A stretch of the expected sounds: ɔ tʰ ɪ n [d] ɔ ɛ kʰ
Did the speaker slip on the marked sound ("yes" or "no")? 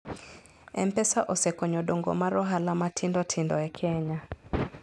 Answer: no